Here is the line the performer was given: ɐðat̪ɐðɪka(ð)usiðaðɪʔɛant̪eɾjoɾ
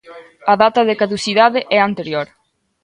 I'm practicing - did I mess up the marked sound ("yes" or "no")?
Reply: no